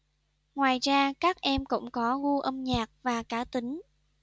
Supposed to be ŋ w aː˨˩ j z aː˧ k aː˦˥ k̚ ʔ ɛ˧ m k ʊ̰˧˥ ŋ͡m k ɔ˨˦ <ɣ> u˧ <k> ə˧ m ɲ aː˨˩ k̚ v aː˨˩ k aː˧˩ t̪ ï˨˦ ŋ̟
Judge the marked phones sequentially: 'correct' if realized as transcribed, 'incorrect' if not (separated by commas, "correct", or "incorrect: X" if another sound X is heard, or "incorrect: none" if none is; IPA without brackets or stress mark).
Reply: correct, incorrect: ʔ